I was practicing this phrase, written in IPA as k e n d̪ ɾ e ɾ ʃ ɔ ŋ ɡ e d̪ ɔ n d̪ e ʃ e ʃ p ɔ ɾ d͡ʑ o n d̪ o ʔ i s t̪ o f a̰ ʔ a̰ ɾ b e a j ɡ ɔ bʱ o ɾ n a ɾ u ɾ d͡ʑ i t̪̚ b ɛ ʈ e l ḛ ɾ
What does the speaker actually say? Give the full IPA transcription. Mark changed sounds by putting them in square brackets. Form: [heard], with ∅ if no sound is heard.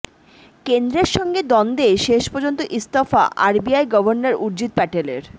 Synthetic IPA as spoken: k e n d̪ ɾ e ɾ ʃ ɔ ŋ ɡ e d̪ ɔ n d̪ e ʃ e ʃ p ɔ ɾ d͡ʑ o n [t̪] o ʔ i s t̪ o f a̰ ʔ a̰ ɾ b [i] a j ɡ ɔ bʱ o ɾ n a ɾ u ɾ d͡ʑ i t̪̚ [p] ɛ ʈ e l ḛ ɾ

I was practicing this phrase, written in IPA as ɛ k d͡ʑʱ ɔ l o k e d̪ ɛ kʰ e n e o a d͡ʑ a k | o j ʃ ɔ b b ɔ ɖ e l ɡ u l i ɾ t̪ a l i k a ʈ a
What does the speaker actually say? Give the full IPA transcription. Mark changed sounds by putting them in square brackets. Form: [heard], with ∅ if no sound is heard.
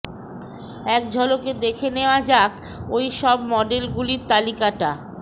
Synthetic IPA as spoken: ɛ k d͡ʑʱ ɔ l o k e d̪ [e] kʰ e n e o a d͡ʑ a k | o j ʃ ɔ b [m] ɔ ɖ e l ɡ u l i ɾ t̪ a l i k a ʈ a

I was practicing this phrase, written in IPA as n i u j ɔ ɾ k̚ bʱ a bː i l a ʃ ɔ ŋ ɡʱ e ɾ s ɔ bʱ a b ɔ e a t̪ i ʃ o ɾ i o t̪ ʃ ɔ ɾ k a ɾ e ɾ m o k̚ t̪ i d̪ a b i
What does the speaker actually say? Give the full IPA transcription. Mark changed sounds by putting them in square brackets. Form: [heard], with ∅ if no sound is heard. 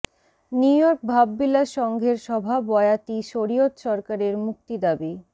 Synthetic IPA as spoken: n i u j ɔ ɾ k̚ bʱ a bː i l a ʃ ɔ ŋ ɡʱ e ɾ [ʃ] ɔ bʱ a b ɔ e a t̪ i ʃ o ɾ i o t̪ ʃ ɔ ɾ k a ɾ e ɾ m [u] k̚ t̪ i d̪ a b i

